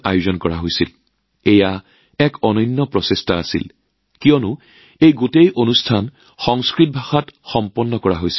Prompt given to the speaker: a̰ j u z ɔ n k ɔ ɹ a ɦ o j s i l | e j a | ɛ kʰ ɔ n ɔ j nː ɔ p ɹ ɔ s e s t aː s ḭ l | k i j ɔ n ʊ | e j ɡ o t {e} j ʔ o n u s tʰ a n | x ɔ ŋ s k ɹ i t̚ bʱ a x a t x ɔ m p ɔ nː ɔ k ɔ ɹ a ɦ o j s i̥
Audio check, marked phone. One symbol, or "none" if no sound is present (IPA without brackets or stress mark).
e